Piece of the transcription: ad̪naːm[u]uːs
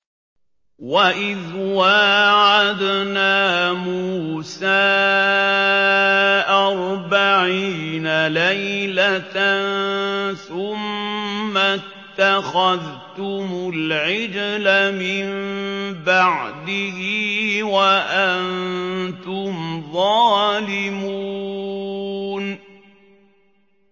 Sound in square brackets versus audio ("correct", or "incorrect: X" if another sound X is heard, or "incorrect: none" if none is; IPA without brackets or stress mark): correct